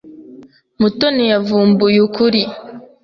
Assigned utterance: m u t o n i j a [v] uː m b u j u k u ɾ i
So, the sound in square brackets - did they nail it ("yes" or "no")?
yes